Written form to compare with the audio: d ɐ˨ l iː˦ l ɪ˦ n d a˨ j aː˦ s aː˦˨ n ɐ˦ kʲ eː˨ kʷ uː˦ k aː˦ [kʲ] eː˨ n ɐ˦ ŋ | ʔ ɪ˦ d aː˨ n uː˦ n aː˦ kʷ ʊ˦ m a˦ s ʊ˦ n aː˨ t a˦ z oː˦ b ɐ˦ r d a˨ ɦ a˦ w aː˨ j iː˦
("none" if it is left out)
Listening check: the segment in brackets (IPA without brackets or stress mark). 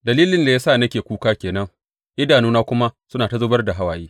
kʲ